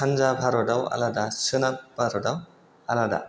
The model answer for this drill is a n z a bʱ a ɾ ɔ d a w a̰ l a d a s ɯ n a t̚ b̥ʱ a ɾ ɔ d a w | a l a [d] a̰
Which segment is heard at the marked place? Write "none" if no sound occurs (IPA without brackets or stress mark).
d